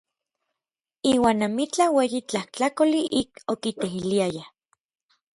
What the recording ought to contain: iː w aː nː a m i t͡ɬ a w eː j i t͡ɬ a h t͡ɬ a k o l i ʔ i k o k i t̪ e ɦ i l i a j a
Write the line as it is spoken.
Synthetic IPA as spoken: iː w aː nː a m i t͡ɬ a w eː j i t͡ɬ a h t͡ɬ a k o l i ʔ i k o k i t̪ e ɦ i l i a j a